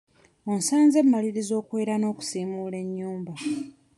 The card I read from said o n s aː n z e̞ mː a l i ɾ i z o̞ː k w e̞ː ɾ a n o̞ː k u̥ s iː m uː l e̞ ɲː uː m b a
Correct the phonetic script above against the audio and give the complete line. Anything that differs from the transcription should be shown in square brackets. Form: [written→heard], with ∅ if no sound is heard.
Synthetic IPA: o n s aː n z e̞ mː a l i ɾ i z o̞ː k w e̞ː ɾ a n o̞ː k u̥ s iː m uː l e̞ ɲː uː m b a